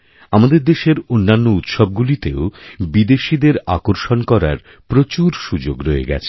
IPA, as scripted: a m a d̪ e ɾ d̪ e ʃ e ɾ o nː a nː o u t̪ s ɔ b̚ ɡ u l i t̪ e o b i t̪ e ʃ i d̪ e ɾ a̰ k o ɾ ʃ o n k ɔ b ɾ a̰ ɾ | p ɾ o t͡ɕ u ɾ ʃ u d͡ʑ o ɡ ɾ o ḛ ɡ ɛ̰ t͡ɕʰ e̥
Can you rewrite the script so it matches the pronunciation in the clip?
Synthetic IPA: a m a d̪ e ɾ d̪ e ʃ e ɾ o nː a nː o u t̪ ʃ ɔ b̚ ɡ u l i t̪ e o b i d̪ e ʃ i d̪ e ɾ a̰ k o ɾ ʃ o n k ɔ ɾ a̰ ɾ | p ɾ o t͡ɕ u ɾ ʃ u d͡ʑ o ɡ ɾ o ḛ ɡ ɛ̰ t͡ɕʰ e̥